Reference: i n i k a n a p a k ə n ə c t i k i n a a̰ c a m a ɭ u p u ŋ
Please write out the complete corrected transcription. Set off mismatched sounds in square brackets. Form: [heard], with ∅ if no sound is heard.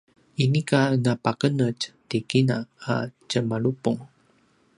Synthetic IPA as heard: i n i k a n a p a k ə n ə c t i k i n a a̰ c [ə] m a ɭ u p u ŋ